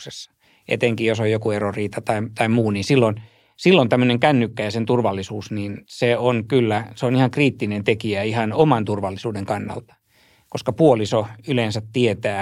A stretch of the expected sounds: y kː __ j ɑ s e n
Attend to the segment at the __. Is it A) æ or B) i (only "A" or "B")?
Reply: A